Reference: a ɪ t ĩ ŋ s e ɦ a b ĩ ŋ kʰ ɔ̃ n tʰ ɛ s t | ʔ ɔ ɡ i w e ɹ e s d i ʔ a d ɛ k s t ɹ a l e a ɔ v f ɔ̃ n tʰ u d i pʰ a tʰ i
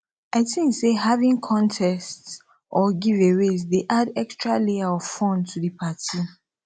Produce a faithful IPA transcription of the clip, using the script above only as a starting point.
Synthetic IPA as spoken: a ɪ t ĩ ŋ s e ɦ a v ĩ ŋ kʰ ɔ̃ n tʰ ɛ s t | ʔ ɔ ɡ i v e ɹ e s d e ʔ a d ɛ k s t ɹ a l e a ɔ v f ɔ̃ n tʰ u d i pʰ a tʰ i